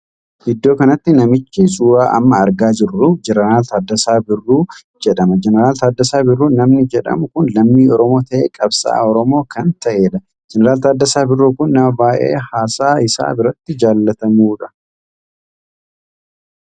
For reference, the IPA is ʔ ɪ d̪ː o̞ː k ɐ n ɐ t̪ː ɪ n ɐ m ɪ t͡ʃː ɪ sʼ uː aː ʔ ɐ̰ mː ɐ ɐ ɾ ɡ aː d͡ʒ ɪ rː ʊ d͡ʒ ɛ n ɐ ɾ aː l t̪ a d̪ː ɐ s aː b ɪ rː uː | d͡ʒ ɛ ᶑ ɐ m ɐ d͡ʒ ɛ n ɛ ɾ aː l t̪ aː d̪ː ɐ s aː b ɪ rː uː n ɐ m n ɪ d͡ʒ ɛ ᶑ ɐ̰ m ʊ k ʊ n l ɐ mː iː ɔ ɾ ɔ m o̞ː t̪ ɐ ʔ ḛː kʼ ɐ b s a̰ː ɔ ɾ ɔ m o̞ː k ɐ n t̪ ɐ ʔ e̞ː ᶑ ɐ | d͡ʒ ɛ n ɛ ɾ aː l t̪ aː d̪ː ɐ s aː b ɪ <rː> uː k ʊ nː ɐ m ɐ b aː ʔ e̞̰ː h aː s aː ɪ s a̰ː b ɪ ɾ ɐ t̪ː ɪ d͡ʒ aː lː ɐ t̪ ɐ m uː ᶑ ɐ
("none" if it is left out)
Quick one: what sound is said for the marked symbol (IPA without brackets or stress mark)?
rː